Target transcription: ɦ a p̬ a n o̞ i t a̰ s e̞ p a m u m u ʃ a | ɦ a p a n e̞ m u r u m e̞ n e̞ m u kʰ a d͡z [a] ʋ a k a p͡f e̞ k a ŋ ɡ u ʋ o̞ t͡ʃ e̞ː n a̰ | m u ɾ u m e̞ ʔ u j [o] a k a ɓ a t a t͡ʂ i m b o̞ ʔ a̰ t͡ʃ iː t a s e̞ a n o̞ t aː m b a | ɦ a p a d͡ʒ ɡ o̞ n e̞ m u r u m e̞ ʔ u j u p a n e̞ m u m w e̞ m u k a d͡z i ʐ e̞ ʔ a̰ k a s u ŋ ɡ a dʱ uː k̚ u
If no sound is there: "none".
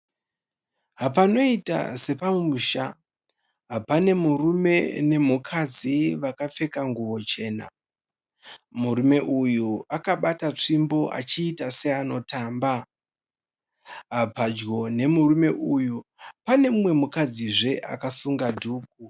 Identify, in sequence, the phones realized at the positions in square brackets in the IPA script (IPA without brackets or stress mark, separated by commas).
i, u